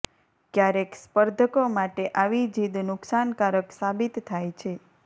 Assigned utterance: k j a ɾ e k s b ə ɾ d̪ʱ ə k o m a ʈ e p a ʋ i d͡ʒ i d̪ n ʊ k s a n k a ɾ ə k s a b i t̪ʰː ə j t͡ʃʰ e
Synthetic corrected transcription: k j a ɾ e k s p ə ɾ d̪ʱ ə k o m a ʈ e ʔ a ʋ i d͡ʒ i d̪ n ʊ k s a n k a ɾ ə k s a b i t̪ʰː a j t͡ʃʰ e